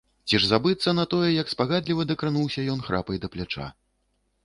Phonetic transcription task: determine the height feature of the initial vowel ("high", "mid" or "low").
high